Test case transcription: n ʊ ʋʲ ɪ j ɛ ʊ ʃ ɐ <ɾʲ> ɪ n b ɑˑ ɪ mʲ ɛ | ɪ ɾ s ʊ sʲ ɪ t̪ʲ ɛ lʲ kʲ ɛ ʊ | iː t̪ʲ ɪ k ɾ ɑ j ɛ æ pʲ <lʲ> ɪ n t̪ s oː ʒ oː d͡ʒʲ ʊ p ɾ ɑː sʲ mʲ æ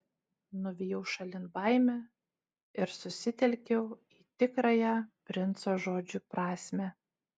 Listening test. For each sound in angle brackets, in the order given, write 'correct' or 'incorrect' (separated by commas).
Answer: incorrect, incorrect